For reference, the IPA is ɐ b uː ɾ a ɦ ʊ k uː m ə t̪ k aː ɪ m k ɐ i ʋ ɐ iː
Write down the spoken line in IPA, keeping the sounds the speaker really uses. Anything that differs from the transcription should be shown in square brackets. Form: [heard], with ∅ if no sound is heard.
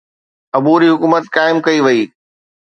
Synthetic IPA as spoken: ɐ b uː ɾ [i] ɦ ʊ k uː m ə t̪ k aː ɪ m k ɐ i ʋ ɐ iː